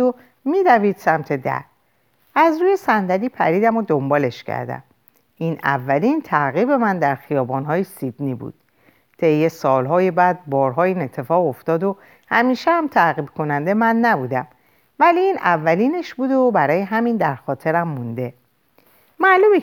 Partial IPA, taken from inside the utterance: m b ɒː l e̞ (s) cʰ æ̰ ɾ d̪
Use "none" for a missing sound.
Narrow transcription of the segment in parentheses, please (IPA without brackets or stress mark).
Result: ʃ